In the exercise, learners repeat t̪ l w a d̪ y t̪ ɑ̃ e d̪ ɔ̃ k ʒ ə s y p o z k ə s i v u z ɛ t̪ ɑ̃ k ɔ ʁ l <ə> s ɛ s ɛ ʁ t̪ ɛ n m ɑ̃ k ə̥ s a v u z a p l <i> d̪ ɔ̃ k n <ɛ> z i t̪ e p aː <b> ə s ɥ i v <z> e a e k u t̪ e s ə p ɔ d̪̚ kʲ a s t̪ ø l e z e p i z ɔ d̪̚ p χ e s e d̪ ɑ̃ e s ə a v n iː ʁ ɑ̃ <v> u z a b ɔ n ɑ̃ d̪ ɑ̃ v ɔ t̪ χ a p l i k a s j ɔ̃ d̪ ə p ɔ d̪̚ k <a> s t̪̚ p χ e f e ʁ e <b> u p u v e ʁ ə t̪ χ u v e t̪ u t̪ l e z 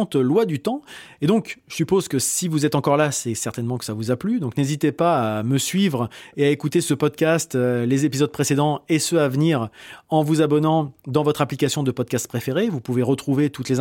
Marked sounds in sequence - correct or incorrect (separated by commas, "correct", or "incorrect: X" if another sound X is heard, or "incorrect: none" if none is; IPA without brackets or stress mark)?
incorrect: a, incorrect: y, incorrect: e, incorrect: m, incorrect: ʁ, correct, correct, incorrect: v